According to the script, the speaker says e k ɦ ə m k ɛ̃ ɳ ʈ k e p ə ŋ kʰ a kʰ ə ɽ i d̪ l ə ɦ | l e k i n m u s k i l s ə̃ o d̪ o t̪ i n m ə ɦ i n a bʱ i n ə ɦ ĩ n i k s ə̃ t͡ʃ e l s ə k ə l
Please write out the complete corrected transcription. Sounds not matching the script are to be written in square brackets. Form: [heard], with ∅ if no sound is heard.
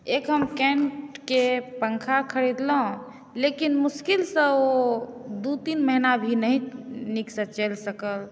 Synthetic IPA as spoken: e k ɦ ə m k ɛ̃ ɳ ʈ k e p ə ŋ kʰ a kʰ ə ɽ i d̪ l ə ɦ | l e k i n m u s k i l s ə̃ o d̪ [u] t̪ i n m ə ɦ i n a bʱ i n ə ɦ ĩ n i k s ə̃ t͡ʃ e l s ə k ə l

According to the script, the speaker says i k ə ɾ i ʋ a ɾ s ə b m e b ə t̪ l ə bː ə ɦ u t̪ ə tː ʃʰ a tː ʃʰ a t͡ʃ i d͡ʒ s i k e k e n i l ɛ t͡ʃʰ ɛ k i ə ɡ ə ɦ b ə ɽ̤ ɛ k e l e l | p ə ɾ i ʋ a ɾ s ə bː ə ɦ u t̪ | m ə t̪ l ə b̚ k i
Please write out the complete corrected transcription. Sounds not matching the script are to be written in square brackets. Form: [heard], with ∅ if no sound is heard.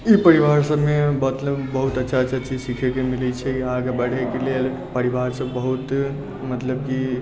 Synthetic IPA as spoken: i [p] ə ɾ i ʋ a ɾ s ə b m e b ə t̪ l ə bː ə ɦ u t̪ ə tː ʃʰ a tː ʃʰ a t͡ʃ i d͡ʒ s i [kʰ] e k e [m] i l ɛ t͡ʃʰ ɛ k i [a] ɡ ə [∅] b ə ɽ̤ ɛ k e l e l | p ə ɾ i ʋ a ɾ s ə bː ə ɦ u t̪ | m ə t̪ l ə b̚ k i

